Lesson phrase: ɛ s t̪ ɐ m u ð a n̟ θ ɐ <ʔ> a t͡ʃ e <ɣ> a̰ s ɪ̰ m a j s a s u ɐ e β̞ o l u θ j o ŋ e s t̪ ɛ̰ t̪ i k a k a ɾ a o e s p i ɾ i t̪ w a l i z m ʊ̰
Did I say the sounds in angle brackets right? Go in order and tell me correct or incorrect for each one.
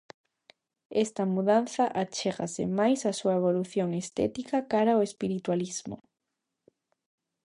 correct, correct

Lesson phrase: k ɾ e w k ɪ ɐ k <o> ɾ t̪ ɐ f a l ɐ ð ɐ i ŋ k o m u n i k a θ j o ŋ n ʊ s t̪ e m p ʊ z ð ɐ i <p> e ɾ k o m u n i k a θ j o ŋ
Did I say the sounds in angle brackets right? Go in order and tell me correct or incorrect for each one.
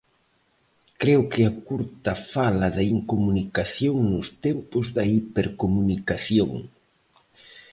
incorrect, correct

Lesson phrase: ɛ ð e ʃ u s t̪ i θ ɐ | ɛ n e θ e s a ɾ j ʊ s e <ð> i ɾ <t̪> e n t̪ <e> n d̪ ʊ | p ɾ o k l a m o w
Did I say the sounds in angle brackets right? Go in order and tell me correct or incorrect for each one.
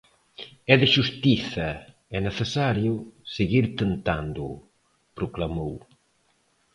incorrect, correct, incorrect

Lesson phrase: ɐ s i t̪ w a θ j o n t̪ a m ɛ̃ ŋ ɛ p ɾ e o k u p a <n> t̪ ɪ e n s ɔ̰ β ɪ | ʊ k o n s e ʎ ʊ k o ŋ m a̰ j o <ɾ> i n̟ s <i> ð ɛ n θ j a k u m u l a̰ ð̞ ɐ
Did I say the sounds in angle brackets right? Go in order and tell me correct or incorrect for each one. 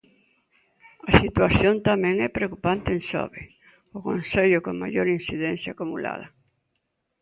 correct, correct, correct

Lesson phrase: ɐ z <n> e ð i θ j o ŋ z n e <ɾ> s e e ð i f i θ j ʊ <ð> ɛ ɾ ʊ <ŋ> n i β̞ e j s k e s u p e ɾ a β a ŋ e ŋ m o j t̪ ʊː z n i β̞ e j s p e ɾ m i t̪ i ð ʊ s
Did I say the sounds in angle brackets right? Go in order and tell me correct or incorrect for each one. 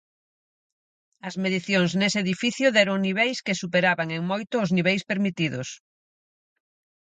incorrect, incorrect, correct, correct

